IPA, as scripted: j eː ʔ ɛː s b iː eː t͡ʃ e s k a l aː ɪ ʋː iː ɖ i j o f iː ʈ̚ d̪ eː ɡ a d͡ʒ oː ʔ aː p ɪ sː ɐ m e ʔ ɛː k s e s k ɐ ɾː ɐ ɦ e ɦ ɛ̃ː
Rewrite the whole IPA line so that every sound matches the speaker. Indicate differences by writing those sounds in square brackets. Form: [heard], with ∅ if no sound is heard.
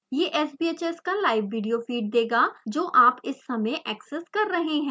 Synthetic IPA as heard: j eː ʔ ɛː s b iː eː t͡ʃ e s k a l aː ɪ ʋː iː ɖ i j o f iː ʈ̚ d̪ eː ɡ a d͡ʒ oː ʔ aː p ɪ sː ɐ m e ʔ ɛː k s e s k ɐ ɾː ɐ ɦ e ɦ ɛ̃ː

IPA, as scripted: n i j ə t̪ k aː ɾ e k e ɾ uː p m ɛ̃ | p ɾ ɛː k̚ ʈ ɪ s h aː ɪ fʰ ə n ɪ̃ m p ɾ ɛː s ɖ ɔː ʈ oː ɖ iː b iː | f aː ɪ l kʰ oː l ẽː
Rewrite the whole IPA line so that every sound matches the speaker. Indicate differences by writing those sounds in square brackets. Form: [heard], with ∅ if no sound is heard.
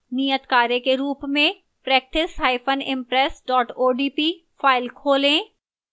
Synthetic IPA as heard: n i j ə t̪ k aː ɾ e k e ɾ uː p m [ẽ] | p ɾ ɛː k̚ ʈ ɪ s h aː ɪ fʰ ə n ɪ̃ m p ɾ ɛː s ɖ ɔː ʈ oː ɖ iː [p] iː | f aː ɪ l kʰ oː l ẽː

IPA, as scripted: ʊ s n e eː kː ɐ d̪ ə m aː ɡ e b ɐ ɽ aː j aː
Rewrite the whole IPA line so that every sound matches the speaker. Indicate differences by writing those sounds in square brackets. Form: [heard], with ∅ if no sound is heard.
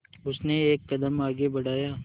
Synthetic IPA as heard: ʊ s n e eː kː ɐ d̪ ə m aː ɡ e b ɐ ɽ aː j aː

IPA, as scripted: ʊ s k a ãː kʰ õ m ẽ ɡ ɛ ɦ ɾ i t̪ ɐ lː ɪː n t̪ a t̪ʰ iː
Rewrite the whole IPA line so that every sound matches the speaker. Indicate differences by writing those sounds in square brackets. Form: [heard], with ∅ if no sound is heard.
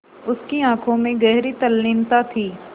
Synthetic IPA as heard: ʊ s k [i] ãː kʰ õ m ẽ ɡ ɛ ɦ ɾ i t̪ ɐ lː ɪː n t̪ a t̪ʰ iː

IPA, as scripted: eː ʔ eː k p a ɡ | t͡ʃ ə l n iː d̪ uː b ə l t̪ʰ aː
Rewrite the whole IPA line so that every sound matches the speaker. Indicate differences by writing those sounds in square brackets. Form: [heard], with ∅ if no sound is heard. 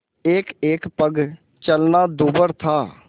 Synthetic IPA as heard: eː [k] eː k p [ə] ɡ | t͡ʃ ə l n [aː] d̪ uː b ə [ɾ] t̪ʰ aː

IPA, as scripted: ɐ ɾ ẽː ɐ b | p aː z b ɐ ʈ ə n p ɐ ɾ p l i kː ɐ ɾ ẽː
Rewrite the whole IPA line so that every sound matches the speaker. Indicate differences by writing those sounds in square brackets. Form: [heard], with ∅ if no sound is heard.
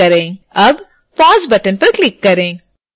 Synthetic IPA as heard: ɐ ɾ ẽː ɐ b | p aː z b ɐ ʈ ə n p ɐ ɾ [k] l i kː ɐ ɾ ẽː

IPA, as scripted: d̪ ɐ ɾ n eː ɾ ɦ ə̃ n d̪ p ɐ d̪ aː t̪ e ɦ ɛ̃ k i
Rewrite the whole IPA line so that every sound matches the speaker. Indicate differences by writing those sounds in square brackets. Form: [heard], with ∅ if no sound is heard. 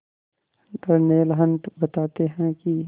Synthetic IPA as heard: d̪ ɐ ɾ n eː [l] ɦ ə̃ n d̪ [b] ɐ [t̪] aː t̪ e ɦ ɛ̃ k i

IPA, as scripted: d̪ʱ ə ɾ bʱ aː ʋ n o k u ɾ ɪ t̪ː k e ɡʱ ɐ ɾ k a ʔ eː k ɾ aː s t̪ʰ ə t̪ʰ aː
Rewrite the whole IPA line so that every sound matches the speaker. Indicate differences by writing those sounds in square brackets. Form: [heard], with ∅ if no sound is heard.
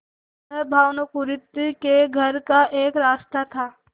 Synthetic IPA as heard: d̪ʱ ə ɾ bʱ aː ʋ n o k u ɾ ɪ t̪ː k e ɡʱ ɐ ɾ k a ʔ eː k ɾ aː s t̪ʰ [a] t̪ʰ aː

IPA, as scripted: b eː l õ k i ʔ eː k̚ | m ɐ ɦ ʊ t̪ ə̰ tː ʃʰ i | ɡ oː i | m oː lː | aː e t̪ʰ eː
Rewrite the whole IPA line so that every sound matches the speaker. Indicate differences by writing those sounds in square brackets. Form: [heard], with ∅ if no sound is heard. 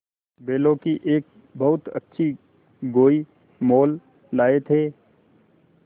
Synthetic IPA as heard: b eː l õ k i ʔ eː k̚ | [b] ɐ ɦ ʊ t̪ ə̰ tː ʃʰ i | ɡ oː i | m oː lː | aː e t̪ʰ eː

